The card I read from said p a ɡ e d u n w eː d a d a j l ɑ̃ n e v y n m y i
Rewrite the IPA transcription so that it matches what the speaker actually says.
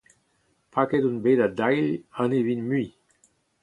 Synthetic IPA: p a k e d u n b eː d a d a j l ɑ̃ n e v i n m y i